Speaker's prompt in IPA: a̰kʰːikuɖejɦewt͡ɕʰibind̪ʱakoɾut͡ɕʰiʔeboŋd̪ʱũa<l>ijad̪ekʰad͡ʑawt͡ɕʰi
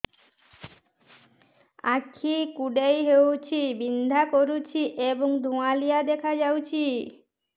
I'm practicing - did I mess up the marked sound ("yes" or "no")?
no